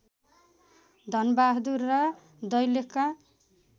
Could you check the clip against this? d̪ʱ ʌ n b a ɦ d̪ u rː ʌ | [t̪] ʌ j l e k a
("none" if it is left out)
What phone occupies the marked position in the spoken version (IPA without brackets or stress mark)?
d̪